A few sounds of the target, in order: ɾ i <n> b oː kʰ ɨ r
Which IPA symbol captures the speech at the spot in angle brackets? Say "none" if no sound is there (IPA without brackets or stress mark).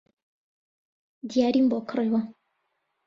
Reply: m